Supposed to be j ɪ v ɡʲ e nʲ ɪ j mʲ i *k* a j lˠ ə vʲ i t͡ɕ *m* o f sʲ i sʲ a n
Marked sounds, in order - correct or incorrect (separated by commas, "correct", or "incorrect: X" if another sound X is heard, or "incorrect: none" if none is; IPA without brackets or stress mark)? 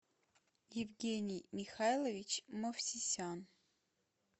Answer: incorrect: x, correct